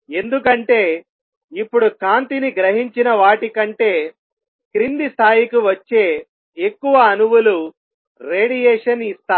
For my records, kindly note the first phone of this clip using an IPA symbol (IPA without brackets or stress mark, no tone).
e̞